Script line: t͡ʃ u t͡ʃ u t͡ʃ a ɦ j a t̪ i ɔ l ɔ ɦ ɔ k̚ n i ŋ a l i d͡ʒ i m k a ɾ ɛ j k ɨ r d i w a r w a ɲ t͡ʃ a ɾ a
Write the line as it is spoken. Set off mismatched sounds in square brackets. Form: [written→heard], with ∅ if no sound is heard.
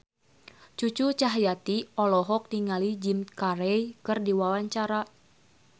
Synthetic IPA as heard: t͡ʃ u t͡ʃ u t͡ʃ a ɦ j a t̪ i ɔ l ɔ ɦ ɔ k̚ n i ŋ a l i d͡ʒ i m k a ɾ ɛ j k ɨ r d i w a [r→∅] w a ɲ t͡ʃ a ɾ a